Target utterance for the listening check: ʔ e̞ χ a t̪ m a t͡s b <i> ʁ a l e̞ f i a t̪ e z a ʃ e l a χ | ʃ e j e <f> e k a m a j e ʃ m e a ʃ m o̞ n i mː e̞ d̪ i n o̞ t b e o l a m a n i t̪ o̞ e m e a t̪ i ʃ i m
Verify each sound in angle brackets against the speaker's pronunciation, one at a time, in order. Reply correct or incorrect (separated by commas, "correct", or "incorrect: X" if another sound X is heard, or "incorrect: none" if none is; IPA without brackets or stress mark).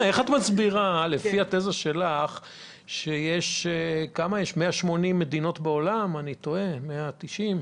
correct, incorrect: ʃ